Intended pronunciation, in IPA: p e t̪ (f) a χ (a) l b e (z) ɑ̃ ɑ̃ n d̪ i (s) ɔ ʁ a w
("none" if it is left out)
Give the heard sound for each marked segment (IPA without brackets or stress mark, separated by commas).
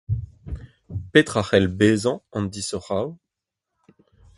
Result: χ, ɛ, z, s